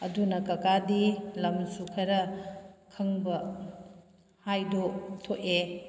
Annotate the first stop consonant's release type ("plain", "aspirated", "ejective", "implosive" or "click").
plain